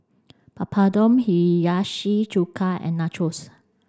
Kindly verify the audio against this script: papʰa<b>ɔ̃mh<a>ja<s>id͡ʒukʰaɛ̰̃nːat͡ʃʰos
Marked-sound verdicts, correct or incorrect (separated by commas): incorrect, incorrect, incorrect